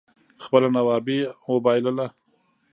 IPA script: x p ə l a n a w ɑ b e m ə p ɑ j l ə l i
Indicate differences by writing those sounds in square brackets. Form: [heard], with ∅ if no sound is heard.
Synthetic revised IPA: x p ə l a n a w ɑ b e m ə [b] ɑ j l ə l [a]